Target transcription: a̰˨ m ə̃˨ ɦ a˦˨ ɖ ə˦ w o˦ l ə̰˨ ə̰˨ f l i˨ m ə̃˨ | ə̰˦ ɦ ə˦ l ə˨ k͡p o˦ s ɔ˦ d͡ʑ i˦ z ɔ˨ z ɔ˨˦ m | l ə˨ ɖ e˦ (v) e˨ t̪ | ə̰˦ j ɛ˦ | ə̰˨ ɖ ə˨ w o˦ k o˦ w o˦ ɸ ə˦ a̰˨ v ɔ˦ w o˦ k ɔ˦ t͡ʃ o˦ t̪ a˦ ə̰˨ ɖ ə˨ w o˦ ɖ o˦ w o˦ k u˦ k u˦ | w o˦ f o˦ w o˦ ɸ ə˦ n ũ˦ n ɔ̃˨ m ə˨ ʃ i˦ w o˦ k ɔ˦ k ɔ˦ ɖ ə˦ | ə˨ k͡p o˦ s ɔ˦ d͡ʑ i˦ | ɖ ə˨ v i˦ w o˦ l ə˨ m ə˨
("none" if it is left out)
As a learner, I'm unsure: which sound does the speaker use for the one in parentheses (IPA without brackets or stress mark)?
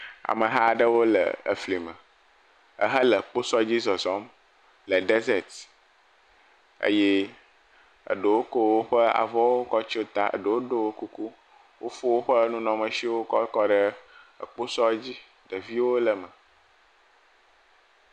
z